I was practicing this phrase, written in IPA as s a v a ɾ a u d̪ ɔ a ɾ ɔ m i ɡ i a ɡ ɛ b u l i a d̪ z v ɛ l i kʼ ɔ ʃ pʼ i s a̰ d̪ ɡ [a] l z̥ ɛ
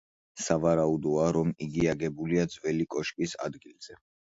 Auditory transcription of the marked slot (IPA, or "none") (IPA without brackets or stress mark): i